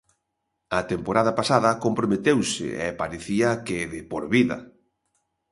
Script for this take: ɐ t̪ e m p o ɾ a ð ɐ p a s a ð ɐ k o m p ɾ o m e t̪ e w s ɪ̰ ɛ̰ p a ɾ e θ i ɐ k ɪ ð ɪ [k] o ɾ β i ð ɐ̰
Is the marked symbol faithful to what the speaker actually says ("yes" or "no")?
no